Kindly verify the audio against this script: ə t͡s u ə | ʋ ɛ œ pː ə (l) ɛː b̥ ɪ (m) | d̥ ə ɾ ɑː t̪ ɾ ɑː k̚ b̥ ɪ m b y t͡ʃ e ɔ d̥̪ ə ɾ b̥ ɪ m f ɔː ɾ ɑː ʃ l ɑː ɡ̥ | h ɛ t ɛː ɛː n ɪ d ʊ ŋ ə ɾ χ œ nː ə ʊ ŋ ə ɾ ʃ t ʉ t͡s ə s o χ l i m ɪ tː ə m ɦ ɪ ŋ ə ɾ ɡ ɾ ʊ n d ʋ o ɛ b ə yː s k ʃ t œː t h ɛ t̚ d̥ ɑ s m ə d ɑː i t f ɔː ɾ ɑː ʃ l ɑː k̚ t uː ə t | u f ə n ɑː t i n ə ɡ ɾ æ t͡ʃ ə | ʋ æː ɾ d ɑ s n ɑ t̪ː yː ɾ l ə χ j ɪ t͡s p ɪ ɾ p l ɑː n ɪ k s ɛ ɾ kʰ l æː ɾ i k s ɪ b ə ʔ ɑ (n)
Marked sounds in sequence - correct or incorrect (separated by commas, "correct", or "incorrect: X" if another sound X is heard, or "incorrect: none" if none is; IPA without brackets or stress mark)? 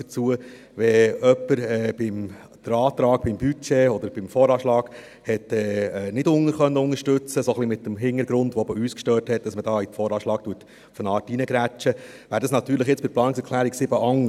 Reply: incorrect: ɾ, correct, incorrect: ŋ